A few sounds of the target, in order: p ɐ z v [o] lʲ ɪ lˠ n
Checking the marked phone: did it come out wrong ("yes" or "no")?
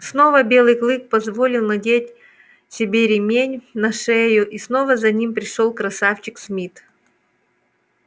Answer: no